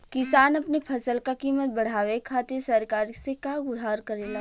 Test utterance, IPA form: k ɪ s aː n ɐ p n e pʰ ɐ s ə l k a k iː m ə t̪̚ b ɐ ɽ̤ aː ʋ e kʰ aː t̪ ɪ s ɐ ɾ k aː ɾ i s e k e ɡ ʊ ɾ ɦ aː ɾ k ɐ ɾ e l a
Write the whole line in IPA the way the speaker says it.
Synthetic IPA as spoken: k ɪ s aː n ɐ p n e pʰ ɐ s ə l k a k iː m ə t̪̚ b ɐ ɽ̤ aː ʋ e kʰ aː t̪ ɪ s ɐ ɾ k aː ɾ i s e k a ɡ ʊ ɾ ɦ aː ɾ k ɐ ɾ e l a